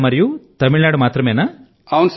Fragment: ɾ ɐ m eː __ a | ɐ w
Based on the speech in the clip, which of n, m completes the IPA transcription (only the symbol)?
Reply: n